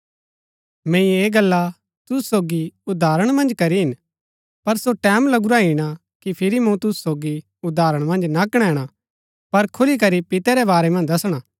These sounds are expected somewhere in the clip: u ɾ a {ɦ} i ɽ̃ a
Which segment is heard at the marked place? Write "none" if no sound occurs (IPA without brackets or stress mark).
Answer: ɦ